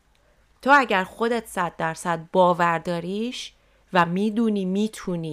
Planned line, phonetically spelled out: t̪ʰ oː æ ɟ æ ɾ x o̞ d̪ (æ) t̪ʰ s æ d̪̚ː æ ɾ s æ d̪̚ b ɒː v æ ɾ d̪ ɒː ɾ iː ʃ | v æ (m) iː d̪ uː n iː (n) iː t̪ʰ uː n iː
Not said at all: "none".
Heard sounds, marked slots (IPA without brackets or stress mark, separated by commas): e, m, m